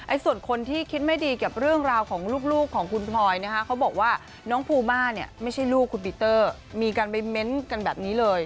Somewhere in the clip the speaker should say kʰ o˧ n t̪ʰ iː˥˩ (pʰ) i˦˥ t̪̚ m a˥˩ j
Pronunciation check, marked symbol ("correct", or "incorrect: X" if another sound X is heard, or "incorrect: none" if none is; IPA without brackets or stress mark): incorrect: kʰ